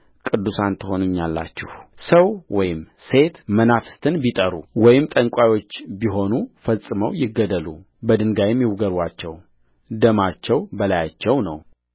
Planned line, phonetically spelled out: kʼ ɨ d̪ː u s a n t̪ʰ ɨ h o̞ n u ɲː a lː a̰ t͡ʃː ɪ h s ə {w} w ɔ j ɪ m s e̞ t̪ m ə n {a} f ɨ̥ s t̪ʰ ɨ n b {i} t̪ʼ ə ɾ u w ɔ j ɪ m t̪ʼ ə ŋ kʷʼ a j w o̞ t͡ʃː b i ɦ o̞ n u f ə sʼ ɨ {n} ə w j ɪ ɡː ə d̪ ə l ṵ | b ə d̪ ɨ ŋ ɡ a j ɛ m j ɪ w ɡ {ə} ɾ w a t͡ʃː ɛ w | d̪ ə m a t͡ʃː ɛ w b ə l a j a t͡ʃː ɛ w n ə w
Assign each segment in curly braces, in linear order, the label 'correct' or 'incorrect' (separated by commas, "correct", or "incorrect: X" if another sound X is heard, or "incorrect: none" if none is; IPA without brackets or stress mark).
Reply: correct, correct, correct, incorrect: m, correct